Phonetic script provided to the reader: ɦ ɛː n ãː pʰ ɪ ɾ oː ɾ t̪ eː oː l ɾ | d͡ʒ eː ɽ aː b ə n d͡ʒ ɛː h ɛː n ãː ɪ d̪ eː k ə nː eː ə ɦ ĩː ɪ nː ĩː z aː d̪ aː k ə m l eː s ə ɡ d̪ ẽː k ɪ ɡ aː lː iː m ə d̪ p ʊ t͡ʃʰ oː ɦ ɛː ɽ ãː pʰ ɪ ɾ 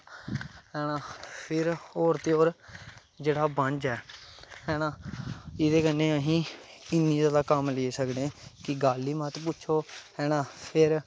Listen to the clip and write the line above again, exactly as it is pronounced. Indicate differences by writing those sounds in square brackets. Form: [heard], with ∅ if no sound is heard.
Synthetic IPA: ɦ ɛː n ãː pʰ ɪ ɾ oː ɾ t̪ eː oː [∅] ɾ | d͡ʒ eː ɽ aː b ə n d͡ʒ ɛː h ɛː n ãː ɪ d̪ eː k ə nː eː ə ɦ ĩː ɪ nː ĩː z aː d̪ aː k ə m l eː s ə [k] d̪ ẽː k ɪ ɡ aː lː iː m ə [t̪] p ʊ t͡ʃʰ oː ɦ ɛː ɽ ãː pʰ ɪ ɾ